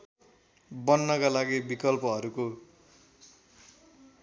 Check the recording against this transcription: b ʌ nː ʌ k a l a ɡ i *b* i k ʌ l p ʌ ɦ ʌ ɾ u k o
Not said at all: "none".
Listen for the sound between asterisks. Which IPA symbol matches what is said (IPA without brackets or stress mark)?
b